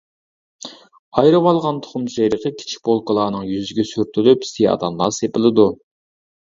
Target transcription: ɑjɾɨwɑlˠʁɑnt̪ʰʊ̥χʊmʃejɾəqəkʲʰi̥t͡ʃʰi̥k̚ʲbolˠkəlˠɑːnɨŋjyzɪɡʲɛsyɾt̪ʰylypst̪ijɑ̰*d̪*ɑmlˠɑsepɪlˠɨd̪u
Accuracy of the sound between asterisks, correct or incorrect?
correct